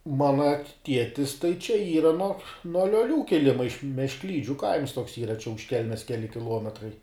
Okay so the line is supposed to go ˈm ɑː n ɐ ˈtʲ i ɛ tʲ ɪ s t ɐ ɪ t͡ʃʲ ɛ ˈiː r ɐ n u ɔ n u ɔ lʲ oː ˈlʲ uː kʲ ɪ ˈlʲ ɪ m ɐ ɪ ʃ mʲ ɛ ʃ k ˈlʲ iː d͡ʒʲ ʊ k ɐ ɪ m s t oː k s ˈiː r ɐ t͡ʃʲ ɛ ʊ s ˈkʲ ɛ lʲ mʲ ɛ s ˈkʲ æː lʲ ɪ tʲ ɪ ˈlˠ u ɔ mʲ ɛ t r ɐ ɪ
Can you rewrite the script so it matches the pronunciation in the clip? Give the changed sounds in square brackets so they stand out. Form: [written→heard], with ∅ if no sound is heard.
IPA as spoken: ˈm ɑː n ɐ ˈtʲ i ɛ tʲ ɪ s t ɐ ɪ t͡ʃʲ ɛ ˈiː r ɐ n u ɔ n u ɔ lʲ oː ˈlʲ uː kʲ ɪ ˈlʲ ɪ m ɐ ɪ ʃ mʲ ɛ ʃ k ˈlʲ iː d͡ʒʲ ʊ k ɐ ɪ m s t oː k s ˈiː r ɐ t͡ʃʲ ɛ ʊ [s→ʃ] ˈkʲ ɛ lʲ mʲ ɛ s ˈkʲ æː lʲ ɪ [tʲ→kʲ] ɪ ˈlˠ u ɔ mʲ ɛ t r ɐ ɪ